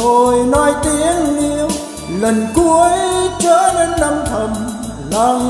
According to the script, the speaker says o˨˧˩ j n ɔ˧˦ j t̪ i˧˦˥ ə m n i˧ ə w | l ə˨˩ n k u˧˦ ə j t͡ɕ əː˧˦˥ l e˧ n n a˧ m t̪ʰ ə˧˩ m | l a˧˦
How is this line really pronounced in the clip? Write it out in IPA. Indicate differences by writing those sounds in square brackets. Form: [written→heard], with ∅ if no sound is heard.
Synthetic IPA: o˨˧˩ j n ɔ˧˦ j t̪ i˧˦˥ ə [m→ŋ] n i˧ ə w | l ə˨˩ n k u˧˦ ə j t͡ɕ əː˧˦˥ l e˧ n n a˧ m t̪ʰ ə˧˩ m | l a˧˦